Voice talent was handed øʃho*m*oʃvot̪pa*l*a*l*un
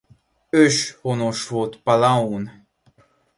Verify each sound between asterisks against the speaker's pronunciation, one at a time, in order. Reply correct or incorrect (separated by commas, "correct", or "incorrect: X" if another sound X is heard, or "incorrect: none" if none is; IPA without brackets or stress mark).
incorrect: n, correct, incorrect: none